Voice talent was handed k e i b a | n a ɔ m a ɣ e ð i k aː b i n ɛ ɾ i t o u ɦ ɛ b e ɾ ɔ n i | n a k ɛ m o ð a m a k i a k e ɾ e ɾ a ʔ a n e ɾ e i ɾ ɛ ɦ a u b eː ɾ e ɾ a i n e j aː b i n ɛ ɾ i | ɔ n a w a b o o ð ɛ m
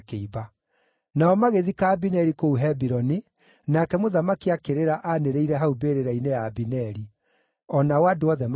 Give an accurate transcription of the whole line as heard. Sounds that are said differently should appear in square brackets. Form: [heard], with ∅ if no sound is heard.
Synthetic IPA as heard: k e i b a | n a ɔ m a ɣ e ð i k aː b i n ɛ ɾ i [k] o u ɦ ɛ b [i] ɾ ɔ n i | n a k ɛ m o ð a m a k i a k e ɾ e ɾ a ʔ a n e ɾ e i ɾ ɛ ɦ a u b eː ɾ e ɾ a i n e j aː b i n ɛ ɾ i | ɔ n a w a [d] o [ɔ] ð ɛ m